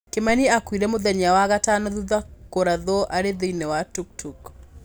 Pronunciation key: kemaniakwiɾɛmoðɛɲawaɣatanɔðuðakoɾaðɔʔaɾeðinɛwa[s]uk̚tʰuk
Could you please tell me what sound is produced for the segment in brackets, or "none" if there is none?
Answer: t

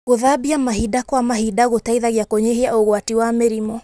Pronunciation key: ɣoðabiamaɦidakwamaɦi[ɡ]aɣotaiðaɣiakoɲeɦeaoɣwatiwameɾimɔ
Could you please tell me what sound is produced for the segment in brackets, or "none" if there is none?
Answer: d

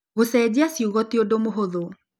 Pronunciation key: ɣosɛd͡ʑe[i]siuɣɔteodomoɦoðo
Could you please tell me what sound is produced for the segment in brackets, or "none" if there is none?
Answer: a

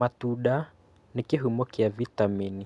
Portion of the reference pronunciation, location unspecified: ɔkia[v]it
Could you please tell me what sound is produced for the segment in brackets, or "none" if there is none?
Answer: v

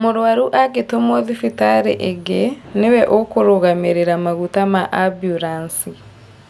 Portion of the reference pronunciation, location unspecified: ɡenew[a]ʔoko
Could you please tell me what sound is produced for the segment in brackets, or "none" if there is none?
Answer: ɛ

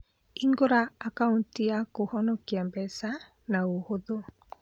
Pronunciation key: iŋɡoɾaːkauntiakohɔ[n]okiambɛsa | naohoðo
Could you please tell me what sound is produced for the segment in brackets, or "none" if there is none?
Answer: n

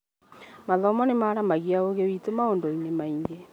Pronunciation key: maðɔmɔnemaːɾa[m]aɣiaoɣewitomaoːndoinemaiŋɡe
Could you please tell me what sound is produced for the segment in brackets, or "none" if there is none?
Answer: m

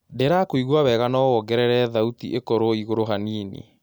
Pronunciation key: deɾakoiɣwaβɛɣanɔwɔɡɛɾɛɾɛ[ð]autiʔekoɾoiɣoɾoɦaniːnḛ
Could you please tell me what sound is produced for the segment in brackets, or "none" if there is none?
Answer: ð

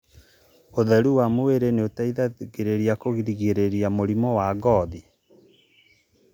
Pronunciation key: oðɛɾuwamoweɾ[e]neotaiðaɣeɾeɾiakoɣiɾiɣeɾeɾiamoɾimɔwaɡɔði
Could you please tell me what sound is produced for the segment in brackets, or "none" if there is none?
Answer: e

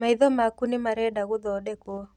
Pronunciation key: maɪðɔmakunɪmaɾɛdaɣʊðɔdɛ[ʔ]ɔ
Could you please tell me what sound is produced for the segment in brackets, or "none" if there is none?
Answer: k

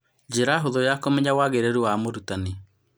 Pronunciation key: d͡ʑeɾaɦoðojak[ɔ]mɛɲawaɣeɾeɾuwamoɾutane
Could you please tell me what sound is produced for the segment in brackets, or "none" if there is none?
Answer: o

